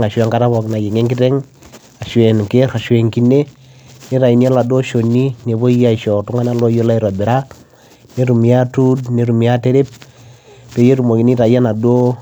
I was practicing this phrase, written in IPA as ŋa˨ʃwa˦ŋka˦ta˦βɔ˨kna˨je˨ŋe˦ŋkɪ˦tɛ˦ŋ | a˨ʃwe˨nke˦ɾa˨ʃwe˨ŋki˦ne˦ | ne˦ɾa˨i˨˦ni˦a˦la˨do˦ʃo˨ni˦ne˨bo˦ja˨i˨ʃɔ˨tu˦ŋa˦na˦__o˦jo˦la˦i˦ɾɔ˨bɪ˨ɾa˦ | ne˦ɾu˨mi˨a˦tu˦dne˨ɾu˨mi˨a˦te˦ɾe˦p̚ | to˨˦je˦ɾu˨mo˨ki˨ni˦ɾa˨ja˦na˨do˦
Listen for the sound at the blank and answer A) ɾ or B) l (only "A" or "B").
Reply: B